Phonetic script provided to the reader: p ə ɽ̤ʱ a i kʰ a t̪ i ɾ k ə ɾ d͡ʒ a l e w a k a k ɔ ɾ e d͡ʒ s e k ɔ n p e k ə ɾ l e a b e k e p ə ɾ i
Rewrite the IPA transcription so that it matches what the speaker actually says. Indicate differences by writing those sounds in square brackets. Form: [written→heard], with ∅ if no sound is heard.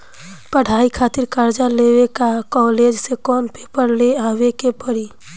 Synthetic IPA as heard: p ə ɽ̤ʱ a i kʰ a t̪ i ɾ k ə ɾ d͡ʒ a l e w [a→e] k a k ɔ [ɾ→l] e d͡ʒ s e k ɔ n p e [k→p] ə ɾ l e a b e k e p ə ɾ i